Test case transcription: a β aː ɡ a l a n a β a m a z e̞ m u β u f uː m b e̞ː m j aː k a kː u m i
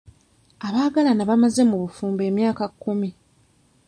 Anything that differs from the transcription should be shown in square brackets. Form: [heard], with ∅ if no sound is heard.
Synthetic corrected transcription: a β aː ɡ a l a n a β a m a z e̞ m u β u f uː m b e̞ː m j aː k a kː u m i